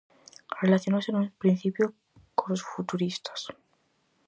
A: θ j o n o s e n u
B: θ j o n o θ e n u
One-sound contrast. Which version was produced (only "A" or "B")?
A